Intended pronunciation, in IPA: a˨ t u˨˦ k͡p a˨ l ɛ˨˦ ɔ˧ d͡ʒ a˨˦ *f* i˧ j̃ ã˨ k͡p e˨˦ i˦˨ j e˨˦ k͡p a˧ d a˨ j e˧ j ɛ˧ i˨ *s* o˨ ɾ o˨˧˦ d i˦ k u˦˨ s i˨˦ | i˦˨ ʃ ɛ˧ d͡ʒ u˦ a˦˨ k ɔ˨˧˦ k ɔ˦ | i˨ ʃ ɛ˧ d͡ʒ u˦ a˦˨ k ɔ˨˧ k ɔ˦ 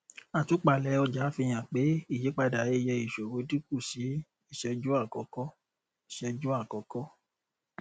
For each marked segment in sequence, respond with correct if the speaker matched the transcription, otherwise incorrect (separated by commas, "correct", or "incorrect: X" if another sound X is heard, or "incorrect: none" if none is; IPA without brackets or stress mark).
correct, incorrect: ʃ